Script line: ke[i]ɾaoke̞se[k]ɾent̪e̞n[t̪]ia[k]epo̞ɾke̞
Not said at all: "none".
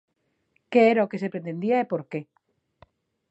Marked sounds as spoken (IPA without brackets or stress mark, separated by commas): e, p, d̪, none